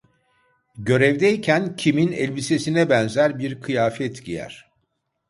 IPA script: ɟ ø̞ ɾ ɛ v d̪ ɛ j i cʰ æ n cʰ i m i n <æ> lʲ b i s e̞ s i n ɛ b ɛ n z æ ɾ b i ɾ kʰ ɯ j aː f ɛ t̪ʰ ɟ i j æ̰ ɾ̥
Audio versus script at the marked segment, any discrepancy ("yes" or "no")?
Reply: yes